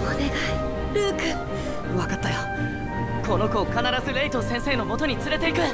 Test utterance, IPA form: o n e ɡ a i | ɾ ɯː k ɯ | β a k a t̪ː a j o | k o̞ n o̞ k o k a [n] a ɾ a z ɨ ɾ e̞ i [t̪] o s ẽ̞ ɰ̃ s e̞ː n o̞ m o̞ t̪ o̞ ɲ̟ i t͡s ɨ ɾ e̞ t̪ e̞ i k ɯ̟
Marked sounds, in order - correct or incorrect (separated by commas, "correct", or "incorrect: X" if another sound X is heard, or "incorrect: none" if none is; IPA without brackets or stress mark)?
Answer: correct, correct